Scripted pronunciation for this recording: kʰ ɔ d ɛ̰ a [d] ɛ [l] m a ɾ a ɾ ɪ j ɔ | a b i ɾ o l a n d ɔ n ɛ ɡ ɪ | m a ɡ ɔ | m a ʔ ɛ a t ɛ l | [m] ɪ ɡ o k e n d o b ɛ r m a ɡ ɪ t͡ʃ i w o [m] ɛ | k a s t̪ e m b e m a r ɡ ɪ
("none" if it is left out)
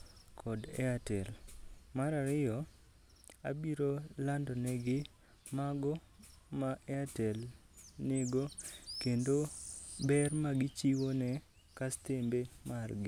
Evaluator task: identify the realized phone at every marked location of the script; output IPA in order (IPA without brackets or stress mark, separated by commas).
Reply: t, l, n, n